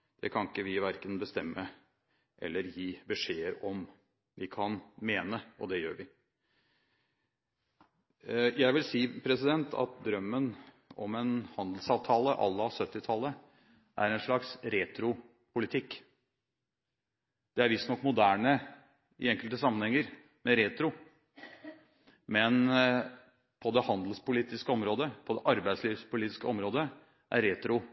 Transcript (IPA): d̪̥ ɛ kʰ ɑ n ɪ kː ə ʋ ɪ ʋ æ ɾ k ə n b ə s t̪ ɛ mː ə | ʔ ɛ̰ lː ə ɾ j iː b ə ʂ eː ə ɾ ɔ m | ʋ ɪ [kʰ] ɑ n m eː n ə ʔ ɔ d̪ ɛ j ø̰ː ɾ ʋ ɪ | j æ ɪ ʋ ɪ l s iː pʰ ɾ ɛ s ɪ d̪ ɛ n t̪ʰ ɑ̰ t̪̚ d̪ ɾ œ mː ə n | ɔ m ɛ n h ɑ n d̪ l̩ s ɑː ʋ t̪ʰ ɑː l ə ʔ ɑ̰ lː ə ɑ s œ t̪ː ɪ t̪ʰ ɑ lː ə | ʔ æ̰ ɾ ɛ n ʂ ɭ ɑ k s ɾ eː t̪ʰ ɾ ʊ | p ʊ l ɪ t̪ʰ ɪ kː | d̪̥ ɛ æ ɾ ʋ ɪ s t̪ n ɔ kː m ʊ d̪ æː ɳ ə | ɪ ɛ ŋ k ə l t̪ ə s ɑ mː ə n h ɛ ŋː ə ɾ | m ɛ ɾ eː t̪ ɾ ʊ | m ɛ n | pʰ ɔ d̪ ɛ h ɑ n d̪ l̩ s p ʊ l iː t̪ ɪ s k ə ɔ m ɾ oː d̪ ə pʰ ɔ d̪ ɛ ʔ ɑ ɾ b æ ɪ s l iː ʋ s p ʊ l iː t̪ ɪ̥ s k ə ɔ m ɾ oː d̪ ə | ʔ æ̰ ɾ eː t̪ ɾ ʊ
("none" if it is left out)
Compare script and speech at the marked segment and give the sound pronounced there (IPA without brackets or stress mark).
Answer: kʰ